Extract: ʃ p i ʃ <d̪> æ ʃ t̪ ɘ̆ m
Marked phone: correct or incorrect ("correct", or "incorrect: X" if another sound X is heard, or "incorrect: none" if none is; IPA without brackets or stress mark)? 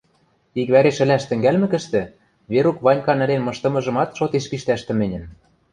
incorrect: t̪